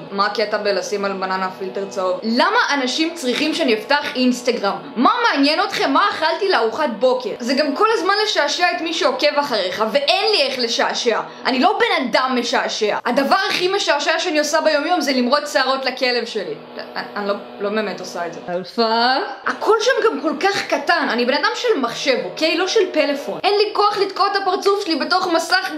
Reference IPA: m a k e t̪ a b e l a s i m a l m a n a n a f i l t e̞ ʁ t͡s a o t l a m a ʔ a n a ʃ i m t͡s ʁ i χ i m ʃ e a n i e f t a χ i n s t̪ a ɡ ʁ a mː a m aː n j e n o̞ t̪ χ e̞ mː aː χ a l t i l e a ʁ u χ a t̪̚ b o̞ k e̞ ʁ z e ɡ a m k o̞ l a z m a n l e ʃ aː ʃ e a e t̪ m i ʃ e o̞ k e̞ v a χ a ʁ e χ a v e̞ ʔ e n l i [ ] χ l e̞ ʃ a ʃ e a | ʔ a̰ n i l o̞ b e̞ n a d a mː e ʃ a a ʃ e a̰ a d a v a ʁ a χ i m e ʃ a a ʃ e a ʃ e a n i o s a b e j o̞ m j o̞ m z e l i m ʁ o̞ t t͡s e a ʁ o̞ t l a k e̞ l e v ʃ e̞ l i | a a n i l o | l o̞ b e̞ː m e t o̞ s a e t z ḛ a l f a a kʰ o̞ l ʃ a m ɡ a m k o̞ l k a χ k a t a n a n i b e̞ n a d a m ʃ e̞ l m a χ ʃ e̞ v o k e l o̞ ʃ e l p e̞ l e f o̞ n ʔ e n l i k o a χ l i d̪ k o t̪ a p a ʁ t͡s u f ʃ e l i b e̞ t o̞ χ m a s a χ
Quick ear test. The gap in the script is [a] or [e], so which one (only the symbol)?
e